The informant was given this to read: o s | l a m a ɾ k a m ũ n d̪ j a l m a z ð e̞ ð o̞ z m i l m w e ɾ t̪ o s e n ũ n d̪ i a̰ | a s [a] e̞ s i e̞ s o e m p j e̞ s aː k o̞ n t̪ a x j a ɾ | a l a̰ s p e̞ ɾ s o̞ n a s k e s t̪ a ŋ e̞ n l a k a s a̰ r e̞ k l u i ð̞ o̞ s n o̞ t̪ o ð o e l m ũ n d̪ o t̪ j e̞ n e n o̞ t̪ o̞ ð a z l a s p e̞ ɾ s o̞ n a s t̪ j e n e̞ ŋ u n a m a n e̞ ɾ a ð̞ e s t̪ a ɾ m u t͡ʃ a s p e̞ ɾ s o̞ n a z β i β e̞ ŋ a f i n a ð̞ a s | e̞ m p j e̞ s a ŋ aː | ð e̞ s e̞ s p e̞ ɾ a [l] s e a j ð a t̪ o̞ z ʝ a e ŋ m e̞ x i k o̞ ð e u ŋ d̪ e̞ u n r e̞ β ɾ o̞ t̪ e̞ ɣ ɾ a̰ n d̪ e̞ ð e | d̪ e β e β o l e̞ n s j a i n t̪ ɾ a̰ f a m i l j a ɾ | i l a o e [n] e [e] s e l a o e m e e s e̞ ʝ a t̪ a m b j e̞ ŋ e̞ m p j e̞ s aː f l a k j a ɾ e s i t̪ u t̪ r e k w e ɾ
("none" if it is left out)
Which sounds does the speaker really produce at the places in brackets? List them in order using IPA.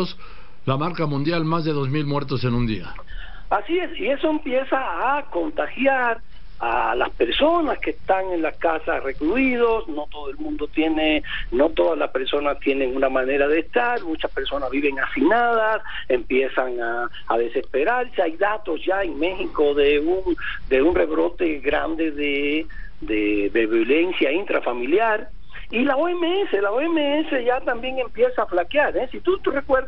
i, ɾ, m, e

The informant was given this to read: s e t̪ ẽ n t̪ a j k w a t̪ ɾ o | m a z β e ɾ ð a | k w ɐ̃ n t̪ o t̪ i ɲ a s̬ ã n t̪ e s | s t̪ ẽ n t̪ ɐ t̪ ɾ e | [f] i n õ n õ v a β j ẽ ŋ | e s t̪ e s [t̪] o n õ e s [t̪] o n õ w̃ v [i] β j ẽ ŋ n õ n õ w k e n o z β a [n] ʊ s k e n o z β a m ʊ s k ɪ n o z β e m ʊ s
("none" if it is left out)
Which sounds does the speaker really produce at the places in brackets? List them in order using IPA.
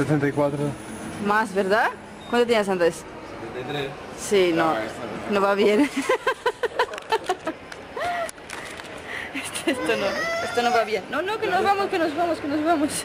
s, t̪, t̪, a, m

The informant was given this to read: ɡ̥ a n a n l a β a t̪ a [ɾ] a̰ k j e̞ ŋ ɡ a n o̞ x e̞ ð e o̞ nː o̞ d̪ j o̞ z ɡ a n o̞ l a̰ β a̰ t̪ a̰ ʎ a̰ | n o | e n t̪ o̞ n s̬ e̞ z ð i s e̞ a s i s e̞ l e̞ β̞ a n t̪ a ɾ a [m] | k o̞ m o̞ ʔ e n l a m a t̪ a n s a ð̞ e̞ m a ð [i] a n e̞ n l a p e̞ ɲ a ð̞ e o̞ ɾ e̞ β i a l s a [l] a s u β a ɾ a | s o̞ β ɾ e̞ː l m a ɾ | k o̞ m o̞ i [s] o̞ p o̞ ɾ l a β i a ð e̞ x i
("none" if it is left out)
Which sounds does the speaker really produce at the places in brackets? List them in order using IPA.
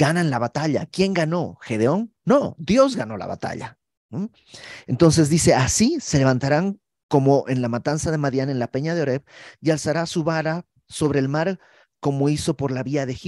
ʎ, ŋ, j, ɾ, s

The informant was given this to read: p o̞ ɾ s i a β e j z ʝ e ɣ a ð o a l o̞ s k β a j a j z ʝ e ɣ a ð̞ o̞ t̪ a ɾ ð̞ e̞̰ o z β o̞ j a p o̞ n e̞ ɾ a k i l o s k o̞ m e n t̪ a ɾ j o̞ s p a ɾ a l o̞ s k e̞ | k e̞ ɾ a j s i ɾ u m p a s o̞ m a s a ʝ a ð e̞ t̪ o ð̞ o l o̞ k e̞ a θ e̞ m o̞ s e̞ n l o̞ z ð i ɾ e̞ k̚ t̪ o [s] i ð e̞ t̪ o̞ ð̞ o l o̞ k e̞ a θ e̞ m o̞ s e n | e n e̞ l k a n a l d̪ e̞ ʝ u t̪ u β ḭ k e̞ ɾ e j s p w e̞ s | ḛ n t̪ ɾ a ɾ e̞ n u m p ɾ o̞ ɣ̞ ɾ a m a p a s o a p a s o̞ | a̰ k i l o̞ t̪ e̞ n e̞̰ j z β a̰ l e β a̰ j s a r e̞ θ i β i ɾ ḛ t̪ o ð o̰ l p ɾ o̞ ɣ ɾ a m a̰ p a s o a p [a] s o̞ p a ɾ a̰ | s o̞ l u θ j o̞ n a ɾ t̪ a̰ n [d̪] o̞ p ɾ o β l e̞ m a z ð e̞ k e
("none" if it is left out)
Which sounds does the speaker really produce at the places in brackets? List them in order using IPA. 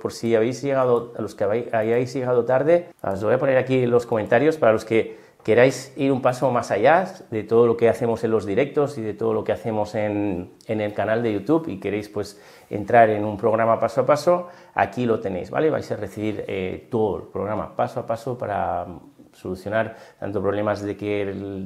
s, a, t̪

